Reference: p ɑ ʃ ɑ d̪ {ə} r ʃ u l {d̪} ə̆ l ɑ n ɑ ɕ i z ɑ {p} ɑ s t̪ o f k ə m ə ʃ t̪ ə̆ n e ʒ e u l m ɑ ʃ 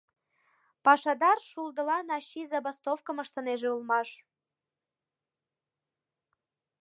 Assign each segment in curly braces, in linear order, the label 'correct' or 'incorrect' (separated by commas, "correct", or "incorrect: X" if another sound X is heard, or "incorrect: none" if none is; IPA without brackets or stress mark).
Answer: incorrect: ɑ, correct, incorrect: b